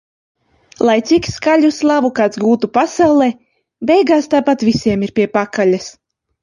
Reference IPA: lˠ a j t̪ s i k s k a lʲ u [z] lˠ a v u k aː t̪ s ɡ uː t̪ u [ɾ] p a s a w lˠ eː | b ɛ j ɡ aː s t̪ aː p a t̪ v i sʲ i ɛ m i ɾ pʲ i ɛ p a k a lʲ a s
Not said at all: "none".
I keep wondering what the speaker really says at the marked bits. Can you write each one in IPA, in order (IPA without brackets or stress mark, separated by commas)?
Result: s, none